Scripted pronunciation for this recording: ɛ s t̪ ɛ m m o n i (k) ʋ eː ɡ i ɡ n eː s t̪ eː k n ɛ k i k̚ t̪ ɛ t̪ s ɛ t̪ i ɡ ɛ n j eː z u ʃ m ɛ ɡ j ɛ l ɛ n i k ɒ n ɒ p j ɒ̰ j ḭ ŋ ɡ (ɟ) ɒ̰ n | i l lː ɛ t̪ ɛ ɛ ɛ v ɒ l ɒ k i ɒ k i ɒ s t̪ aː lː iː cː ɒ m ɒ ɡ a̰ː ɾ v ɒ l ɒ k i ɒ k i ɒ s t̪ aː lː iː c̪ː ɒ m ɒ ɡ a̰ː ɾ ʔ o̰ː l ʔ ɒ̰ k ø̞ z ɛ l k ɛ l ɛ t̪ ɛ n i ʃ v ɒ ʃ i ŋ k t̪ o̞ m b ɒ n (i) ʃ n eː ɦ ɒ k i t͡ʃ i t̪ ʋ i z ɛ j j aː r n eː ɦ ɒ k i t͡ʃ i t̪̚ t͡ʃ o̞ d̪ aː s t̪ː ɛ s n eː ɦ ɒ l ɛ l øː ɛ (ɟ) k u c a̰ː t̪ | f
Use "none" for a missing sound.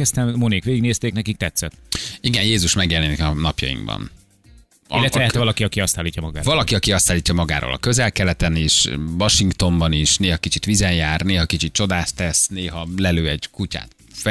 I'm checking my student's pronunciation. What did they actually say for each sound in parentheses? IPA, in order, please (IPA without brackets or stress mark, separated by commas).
k, b, i, ɟ